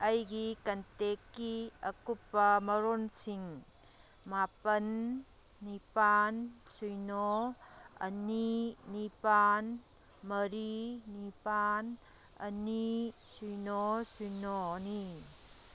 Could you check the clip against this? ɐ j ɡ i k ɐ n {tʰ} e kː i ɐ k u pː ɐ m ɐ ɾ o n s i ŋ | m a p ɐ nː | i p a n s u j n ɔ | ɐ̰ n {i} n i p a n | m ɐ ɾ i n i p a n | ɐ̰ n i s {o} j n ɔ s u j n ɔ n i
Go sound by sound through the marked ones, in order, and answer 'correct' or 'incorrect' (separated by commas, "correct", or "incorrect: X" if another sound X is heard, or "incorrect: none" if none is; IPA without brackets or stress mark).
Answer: incorrect: t, correct, incorrect: u